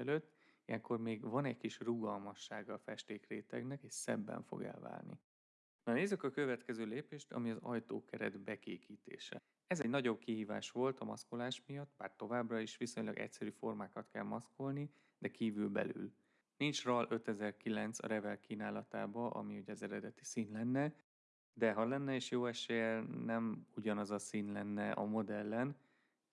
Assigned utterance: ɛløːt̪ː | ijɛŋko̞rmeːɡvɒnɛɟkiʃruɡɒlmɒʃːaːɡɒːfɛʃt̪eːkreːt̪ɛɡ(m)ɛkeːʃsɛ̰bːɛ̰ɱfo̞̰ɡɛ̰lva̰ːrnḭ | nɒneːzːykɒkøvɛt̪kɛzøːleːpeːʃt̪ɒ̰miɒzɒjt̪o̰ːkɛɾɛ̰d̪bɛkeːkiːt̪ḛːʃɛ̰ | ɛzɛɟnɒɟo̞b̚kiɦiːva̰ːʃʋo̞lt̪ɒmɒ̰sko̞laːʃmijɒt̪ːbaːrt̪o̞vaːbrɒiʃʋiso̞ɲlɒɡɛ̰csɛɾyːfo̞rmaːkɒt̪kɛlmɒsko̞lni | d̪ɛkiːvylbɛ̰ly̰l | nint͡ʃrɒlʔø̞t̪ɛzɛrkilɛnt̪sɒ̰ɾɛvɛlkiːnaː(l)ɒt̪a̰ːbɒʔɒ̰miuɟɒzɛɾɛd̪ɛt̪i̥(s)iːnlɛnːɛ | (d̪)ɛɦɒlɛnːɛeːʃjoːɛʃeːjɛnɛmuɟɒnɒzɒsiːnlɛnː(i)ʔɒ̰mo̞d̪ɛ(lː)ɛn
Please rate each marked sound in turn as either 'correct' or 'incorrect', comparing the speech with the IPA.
incorrect: n, correct, correct, correct, incorrect: ɛ, correct

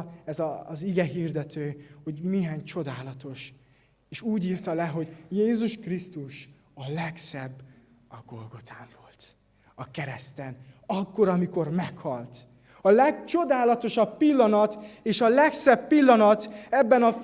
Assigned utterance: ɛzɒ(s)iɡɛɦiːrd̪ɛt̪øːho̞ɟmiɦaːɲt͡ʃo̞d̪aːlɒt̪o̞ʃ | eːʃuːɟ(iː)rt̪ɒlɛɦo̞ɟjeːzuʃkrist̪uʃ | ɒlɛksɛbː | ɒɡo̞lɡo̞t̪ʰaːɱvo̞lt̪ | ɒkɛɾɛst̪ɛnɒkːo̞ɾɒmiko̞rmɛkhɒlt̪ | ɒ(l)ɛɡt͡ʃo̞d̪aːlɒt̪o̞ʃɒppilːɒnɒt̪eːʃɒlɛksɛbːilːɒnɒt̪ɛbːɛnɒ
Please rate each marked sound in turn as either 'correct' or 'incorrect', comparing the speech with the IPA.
incorrect: z, correct, correct

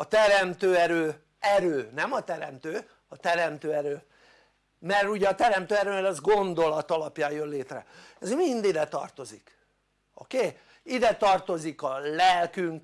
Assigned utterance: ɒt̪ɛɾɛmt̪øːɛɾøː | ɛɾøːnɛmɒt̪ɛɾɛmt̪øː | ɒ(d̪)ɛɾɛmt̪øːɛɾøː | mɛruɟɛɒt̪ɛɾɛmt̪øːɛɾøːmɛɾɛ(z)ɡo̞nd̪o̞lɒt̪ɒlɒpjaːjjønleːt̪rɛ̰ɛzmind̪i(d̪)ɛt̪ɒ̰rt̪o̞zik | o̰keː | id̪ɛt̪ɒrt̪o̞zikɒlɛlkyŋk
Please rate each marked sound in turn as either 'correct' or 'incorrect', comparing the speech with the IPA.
incorrect: t̪, correct, correct

